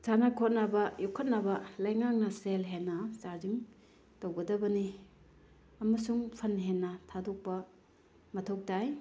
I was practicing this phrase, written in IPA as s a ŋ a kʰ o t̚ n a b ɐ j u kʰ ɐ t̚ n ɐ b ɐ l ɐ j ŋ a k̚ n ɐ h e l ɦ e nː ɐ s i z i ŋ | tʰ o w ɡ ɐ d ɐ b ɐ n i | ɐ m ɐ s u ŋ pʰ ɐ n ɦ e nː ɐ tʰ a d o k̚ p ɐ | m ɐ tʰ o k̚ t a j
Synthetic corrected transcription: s a n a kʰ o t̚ n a b ɐ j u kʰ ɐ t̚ n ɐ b ɐ l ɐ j ŋ a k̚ n ɐ s e l ɦ e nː ɐ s a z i ŋ | t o w ɡ ɐ d ɐ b ɐ n i | ɐ m ɐ s u ŋ pʰ ɐ n ɦ e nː ɐ tʰ a d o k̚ p ɐ | m ɐ tʰ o k̚ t a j